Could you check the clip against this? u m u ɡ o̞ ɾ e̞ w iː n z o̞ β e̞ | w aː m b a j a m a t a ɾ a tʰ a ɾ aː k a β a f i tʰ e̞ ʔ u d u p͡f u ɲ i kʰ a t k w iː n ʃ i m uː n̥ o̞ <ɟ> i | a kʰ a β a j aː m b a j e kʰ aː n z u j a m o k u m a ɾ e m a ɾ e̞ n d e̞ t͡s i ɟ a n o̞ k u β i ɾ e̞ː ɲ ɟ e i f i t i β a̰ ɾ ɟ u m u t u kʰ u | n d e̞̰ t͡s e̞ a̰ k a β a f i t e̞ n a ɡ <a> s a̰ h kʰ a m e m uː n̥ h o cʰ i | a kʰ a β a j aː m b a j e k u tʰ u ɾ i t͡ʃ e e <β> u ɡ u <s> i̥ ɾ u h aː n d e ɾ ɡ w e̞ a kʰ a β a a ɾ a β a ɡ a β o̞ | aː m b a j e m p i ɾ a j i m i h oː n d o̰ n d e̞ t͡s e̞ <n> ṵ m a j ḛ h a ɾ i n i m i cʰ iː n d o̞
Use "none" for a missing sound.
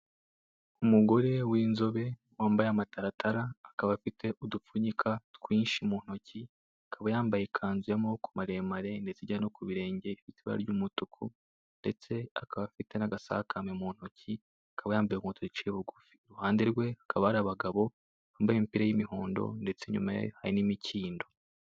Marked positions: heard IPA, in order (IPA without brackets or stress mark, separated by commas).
c, a, β, f, ɲ